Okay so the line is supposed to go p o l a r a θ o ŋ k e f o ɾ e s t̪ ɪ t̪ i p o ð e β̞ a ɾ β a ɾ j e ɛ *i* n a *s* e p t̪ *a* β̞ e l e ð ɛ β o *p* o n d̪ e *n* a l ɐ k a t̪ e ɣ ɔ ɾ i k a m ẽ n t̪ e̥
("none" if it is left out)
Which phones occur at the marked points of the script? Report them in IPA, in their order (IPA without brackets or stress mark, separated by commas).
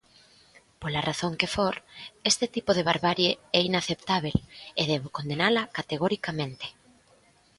i, θ, a, k, n